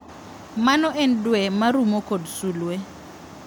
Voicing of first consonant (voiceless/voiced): voiced